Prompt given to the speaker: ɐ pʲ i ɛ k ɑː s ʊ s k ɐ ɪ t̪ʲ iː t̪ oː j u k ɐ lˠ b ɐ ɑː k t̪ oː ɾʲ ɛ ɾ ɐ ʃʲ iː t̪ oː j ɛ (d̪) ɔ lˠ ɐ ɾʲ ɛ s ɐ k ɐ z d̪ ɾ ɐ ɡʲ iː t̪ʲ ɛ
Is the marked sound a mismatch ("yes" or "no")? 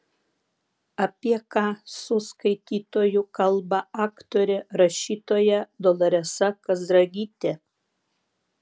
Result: no